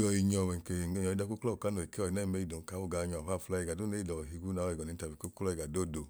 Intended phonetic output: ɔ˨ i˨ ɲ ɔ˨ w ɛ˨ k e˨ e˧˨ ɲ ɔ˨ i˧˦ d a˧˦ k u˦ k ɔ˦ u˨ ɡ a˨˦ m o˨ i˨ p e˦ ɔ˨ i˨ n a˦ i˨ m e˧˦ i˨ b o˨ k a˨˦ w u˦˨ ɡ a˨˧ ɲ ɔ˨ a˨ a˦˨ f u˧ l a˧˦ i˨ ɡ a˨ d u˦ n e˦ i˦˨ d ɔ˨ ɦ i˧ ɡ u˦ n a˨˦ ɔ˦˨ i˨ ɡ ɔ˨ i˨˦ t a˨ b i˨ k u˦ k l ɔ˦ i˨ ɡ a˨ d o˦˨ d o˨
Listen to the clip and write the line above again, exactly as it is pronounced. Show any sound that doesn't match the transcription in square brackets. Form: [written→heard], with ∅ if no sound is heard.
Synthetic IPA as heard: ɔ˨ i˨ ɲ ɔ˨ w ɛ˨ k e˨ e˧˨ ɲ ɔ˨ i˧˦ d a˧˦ k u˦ k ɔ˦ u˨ [ɡ→k] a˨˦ [m→n] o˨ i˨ [p→k] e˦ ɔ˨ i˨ n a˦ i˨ m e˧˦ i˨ [b→d] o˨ k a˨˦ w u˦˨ ɡ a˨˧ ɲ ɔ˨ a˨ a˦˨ f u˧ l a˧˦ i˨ ɡ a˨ d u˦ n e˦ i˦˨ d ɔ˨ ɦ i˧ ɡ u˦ n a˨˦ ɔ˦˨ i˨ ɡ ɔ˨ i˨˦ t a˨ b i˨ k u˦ k l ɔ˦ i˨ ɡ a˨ d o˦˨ d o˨